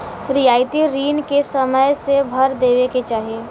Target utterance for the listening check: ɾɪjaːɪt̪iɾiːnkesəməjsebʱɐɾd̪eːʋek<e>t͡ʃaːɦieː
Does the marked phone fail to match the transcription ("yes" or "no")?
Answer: no